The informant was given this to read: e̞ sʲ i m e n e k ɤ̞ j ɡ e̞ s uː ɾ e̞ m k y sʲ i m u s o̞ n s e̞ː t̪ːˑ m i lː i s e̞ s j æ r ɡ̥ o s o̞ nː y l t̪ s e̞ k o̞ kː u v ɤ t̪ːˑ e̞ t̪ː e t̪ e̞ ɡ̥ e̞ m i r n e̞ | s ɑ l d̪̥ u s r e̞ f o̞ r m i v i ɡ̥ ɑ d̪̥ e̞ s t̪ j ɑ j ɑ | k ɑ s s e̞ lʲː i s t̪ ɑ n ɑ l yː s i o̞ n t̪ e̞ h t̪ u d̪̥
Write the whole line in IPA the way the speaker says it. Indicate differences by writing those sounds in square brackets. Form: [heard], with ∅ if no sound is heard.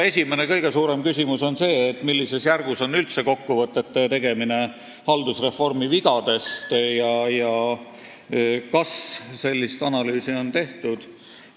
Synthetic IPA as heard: e̞ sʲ i m e n e k ɤ̞ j ɡ e̞ s uː ɾ e̞ m k y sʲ i m u s o̞ n s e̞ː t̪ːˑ m i lː i s e̞ s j æ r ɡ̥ [u] s o̞ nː y l t̪ s e̞ k o̞ kː u v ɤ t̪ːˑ e̞ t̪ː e t̪ e̞ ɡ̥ e̞ m i [∅] n e̞ | [h] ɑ l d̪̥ u s r e̞ f o̞ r m i v i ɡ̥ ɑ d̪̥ e̞ s t̪ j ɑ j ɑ | k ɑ s s e̞ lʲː i s t̪ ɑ n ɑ l yː s i o̞ n t̪ e̞ h t̪ u d̪̥

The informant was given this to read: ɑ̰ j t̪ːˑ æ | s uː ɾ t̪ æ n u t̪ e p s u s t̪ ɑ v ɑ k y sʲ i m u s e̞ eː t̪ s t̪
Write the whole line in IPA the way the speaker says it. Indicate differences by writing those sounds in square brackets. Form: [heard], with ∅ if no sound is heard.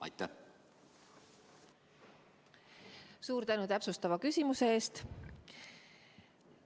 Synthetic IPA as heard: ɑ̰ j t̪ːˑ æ | s uː ɾ t̪ æ n u t̪ [æ] p s u s t̪ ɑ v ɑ k y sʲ i m u s e̞ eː [∅] s t̪

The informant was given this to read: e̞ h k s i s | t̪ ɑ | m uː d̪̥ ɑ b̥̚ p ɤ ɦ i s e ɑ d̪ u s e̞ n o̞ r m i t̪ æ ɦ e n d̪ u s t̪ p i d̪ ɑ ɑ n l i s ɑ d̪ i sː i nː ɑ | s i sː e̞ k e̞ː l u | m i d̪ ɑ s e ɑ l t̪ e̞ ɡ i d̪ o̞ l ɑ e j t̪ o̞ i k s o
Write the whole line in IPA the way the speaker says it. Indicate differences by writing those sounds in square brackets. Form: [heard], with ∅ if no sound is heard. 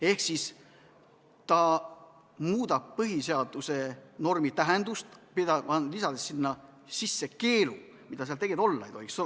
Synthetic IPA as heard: e̞ h k s i s | t̪ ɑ | m uː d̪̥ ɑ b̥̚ p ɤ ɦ i s e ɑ d̪ u s e̞ n o̞ r m i t̪ æ ɦ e n d̪ u s t̪ p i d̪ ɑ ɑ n l i s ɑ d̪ [e] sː i nː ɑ | s i sː e̞ k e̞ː l u | m i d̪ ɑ s e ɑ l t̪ e̞ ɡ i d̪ o̞ [lː] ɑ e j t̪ o̞ i k s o

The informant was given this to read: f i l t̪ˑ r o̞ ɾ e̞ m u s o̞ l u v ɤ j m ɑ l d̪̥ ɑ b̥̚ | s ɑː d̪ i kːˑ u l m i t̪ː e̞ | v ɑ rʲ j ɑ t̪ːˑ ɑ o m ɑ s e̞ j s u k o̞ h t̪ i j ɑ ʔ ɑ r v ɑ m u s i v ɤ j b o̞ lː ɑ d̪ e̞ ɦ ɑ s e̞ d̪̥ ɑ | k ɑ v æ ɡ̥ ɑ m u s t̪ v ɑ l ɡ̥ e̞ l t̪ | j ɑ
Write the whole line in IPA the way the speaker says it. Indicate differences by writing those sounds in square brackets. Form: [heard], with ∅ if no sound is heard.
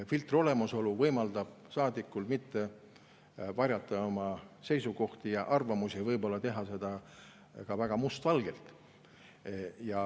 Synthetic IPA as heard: f i l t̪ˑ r o̞ [l] e̞ m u s o̞ l u v ɤ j m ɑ l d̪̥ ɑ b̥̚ | s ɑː d̪ i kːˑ u l m i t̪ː e̞ | v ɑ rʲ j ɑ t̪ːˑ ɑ o m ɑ s e̞ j s u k o̞ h t̪ i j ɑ ʔ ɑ r v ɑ m u s i v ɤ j b o̞ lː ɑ [t̪] e̞ ɦ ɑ s e̞ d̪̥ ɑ | k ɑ v æ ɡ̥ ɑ m u s t̪ v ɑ l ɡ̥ e̞ l t̪ | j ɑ

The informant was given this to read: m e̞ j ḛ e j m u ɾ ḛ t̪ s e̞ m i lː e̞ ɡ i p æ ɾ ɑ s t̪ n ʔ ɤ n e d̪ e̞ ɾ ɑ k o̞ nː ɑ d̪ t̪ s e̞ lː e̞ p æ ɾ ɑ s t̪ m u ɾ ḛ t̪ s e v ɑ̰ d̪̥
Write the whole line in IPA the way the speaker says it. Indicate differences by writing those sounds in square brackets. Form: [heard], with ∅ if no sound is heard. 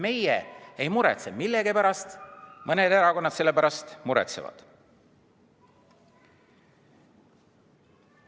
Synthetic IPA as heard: m e̞ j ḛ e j m u ɾ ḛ t̪ s e̞ m i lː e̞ ɡ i p æ ɾ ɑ s t̪ [m] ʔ ɤ n e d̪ e̞ ɾ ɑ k o̞ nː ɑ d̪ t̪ s e̞ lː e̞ p æ ɾ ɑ s t̪ m u ɾ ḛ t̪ s e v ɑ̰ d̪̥

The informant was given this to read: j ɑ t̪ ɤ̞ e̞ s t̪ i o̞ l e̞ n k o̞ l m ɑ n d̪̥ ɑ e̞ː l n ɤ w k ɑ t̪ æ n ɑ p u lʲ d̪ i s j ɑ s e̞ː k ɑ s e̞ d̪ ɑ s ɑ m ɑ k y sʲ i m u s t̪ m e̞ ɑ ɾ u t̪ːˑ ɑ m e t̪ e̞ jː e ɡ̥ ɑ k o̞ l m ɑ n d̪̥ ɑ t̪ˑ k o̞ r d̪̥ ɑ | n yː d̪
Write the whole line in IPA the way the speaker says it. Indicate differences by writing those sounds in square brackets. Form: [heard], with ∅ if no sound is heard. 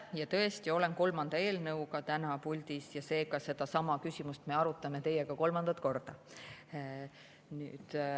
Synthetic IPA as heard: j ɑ t̪ ɤ̞ e̞ s t̪ i o̞ l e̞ n k o̞ l m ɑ n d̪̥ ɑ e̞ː l n ɤ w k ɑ t̪ æ n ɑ p u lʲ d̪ i s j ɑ s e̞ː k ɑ s e̞ d̪ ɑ s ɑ m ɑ k y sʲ i m u s t̪ m e̞ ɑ ɾ u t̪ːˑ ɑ m e t̪ e̞ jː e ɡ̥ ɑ k o̞ l m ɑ n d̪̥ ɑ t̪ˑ k o̞ r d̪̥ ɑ | n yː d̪

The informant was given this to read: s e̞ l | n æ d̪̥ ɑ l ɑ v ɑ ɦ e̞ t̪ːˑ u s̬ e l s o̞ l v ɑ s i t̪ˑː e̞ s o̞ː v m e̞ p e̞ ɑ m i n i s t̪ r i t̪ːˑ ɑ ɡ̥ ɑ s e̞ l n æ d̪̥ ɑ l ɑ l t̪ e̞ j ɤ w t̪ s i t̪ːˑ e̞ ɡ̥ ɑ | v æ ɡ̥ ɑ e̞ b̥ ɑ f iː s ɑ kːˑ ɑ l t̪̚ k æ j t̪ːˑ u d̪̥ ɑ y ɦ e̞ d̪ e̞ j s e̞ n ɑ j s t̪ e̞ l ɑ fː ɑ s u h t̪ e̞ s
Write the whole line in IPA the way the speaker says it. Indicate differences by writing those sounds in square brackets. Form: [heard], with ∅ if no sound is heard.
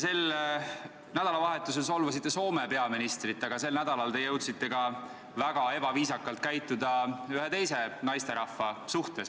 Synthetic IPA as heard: s e̞ l | n æ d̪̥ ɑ l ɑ v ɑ ɦ e̞ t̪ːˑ u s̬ e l s o̞ l v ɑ s i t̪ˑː e̞ s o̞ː [∅] m e̞ p e̞ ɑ m i n i s t̪ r i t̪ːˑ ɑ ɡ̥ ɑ s e̞ l n æ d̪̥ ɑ l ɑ l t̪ e̞ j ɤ w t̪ s i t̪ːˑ e̞ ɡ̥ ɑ | v æ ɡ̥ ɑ e̞ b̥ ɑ [v] iː s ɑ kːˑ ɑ l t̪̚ k æ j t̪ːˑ u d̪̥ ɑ y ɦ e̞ [t̪] e̞ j s e̞ n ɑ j s t̪ e̞ [ɾ] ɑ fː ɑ s u h t̪ e̞ s

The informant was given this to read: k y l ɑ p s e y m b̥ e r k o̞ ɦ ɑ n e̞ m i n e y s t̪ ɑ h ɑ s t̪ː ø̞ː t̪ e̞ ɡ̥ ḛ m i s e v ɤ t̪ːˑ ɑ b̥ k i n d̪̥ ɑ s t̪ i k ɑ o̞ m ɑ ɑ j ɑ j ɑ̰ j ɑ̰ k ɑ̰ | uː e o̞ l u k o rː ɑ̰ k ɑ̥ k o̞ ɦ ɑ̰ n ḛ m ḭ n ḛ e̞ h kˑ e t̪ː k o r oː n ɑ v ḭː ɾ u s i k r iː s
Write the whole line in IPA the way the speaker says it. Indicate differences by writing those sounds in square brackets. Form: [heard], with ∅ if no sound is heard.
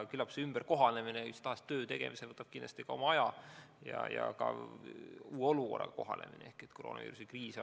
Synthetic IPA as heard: k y l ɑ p s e y m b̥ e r k o̞ ɦ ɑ n e̞ m i n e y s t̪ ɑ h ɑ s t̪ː ø̞ː t̪ e̞ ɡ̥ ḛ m i s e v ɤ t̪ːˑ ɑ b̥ k i n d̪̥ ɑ s t̪ i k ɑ o̞ m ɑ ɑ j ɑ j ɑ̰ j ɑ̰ k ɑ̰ | uː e o̞ l u k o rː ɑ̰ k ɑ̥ k o̞ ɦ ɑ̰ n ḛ m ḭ n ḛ e̞ h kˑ e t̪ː k o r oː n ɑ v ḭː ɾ u s i k r iː s

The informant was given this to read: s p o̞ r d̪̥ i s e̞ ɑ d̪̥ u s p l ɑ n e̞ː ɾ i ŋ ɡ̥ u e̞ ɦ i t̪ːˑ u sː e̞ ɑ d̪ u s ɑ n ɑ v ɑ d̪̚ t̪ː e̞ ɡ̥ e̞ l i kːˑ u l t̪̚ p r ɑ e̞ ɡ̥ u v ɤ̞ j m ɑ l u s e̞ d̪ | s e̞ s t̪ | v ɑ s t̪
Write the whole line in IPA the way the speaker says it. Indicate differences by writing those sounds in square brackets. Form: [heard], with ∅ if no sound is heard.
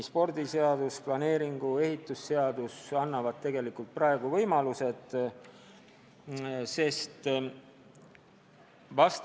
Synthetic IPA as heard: s p o̞ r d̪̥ i s e̞ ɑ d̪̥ u s p l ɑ n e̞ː ɾ i ŋ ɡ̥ u e̞ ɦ i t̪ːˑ u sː e̞ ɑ d̪ u s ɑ [nː] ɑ v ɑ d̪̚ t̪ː e̞ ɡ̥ e̞ l i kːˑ u l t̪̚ p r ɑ e̞ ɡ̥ u v ɤ̞ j m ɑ l u s e̞ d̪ | s e̞ s t̪ | v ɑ s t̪

